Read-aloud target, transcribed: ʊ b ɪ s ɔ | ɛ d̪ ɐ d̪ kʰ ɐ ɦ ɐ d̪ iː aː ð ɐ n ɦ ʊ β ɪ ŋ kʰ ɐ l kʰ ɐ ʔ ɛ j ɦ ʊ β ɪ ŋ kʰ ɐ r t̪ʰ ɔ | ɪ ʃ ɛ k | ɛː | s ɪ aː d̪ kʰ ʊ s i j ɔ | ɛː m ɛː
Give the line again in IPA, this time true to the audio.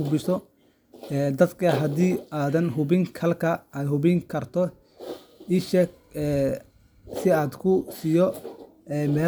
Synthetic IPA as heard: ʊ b ɪ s ɔ | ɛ d̪ ɐ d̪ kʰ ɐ ɦ ɐ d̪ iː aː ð ɐ n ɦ ʊ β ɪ ŋ kʰ ɐ l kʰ ɐ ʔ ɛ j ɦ ʊ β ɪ ŋ kʰ ɐ r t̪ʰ ɔ | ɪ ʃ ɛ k | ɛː | s ɪ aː d̪ kʰ ʊ s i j ɔ | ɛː m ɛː

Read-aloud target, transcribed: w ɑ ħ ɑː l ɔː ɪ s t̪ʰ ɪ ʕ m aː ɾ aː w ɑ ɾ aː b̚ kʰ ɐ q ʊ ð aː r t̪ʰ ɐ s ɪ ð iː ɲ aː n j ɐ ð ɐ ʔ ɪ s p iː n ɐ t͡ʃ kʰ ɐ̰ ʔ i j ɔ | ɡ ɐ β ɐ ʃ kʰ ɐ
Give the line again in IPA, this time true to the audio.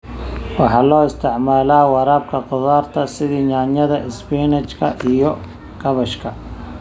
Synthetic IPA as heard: w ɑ ħ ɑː l ɔː ɪ s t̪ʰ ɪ ʕ m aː l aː w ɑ ɾ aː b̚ kʰ ɐ q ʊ ð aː r t̪ʰ ɐ s ɪ ð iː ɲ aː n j ɐ ð ɐ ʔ ɪ s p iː n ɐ t͡ʃ kʰ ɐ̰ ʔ i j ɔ | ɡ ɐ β ɐ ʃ kʰ ɐ

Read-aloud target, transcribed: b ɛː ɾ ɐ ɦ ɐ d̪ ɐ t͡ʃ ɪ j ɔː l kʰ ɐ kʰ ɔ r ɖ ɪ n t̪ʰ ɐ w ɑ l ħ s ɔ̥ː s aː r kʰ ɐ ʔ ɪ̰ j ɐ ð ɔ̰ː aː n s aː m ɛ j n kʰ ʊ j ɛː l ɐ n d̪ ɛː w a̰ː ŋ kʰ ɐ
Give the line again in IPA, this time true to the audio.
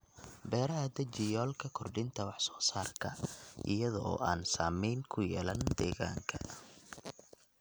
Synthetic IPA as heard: b ɛː ɾ ɐ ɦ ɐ d̪ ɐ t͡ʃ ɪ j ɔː l kʰ ɐ kʰ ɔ r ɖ ɪ n t̪ʰ ɐ w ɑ ħ s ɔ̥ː s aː r kʰ ɐ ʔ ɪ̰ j ɐ ð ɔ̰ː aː n s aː m ɛ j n kʰ ʊ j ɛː l ɐ n d̪ ɛː ɣ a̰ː ŋ kʰ ɐ

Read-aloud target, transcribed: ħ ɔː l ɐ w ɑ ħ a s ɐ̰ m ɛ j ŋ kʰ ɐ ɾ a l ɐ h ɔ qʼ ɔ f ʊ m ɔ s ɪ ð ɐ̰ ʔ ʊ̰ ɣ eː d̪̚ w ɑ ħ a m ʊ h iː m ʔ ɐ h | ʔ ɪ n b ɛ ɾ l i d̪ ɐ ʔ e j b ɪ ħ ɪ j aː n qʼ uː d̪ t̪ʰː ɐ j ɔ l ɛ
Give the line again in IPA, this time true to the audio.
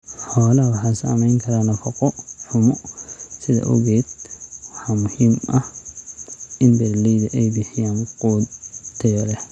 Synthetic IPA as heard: ħ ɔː l ɐ w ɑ ħ a s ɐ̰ m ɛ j ŋ kʰ ɐ ɾ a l ɐ f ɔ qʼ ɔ ħ ʊ m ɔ s ɪ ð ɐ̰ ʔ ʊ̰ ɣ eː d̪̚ w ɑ ħ a m ʊ h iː m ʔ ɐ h | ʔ ɪ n b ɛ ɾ l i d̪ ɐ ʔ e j b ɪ ħ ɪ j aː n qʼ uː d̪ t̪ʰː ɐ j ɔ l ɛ

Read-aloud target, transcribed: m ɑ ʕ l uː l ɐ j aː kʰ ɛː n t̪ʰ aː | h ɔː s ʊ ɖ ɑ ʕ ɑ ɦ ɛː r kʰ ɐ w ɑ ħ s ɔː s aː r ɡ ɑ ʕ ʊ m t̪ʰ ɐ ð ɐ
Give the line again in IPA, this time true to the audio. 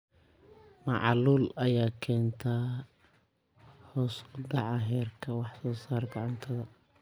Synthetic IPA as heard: m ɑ ʕ l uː l ɐ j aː kʰ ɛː n t̪ʰ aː | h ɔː s ʊ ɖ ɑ ʕ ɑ ɦ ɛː r kʰ ɐ w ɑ ħ s ɔː s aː r ɡ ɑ ʕ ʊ n t̪ʰ ɐ ð ɐ

